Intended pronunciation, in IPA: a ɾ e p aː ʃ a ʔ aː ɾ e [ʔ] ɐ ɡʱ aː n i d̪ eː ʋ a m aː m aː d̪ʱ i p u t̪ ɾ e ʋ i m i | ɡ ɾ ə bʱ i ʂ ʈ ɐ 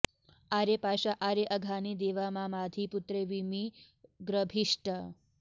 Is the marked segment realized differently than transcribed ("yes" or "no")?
no